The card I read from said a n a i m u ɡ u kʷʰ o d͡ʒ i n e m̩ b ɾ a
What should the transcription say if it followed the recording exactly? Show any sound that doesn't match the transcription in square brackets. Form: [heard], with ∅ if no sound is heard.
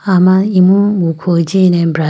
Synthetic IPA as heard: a [m] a i m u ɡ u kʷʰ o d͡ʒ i n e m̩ b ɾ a